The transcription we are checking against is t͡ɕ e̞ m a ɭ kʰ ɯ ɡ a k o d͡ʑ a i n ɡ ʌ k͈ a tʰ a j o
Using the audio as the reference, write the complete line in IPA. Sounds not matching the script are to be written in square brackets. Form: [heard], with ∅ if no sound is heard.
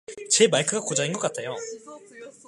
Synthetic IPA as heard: t͡ɕ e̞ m a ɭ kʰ ɯ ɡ a k o d͡ʑ a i n ɡ ʌ k͈ a tʰ [e] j o